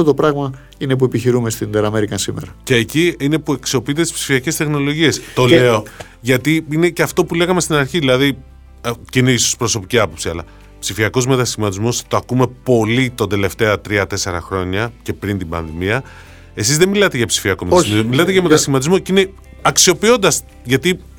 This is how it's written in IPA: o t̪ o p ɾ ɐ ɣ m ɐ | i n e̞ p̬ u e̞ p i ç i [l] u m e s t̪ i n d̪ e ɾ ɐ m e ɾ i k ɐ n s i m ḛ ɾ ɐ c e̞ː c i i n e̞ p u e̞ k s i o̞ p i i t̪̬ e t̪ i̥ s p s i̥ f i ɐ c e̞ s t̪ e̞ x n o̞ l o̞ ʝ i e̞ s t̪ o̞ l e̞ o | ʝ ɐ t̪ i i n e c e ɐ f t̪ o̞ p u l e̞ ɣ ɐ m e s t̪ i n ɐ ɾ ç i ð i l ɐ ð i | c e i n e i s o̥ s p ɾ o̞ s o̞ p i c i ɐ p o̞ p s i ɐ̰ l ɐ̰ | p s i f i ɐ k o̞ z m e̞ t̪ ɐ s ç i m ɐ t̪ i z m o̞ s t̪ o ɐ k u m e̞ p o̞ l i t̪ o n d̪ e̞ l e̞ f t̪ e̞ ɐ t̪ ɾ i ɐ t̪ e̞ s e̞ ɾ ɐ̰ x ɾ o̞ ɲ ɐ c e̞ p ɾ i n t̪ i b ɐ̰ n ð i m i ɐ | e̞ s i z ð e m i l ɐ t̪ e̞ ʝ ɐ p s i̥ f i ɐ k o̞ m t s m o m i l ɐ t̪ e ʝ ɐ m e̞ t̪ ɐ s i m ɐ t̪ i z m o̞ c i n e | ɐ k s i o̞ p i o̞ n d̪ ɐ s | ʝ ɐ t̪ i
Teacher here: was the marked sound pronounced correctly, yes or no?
no